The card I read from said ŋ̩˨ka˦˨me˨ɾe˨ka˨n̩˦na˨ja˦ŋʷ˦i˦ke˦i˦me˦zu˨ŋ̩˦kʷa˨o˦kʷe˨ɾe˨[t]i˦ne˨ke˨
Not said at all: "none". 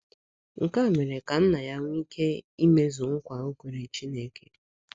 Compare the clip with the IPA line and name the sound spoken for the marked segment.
t͡ʃ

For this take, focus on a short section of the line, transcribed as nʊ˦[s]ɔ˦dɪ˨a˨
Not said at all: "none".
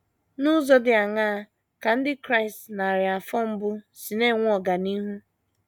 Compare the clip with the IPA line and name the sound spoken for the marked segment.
z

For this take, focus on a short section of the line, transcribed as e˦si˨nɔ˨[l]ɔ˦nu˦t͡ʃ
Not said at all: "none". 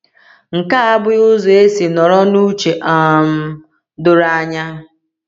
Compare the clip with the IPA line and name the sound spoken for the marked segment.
ɾ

